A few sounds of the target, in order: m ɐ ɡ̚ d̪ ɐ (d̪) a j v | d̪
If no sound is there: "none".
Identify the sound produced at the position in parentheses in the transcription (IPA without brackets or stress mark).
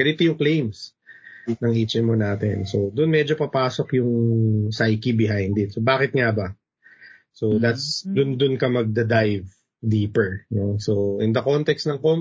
d̪